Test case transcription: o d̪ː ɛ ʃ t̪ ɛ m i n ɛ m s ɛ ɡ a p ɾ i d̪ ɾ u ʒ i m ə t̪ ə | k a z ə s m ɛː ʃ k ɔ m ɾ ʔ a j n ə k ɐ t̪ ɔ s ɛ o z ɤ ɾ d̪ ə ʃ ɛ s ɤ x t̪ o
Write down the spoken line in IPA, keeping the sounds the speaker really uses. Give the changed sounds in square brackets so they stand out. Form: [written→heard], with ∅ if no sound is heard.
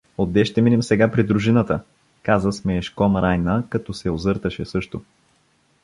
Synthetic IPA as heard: o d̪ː ɛ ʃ t̪ ɛ m i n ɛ m s ɛ ɡ a p ɾ i d̪ ɾ u ʒ i [m→n] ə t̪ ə | k a z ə s m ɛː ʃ k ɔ m ɾ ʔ a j n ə k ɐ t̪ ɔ s ɛ o z ɤ ɾ [d̪→t̪] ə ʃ ɛ s ɤ [x→ʃ] t̪ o